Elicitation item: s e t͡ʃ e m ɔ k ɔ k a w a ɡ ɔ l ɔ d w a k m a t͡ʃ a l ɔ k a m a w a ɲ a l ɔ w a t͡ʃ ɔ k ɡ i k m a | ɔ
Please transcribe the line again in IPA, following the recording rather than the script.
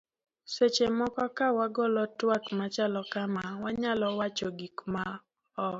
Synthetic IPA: s e t͡ʃ e m ɔ k ɔ k a w a ɡ ɔ l ɔ t w a k m a t͡ʃ a l ɔ k a m a w a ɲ a l ɔ w a t͡ʃ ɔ ɡ i k m a | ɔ